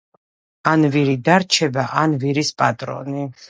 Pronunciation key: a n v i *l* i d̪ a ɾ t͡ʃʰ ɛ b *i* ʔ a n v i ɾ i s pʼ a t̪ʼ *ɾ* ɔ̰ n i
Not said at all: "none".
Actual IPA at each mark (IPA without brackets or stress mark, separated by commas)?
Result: ɾ, a, ɾ